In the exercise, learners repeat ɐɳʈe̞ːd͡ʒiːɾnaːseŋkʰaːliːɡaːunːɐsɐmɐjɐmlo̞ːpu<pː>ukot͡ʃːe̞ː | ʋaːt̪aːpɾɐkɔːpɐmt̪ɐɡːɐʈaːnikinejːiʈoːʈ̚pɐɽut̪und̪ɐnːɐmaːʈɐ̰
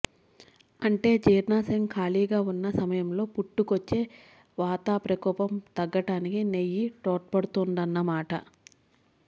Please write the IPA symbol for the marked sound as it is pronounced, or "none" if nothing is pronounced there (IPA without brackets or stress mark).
ʈː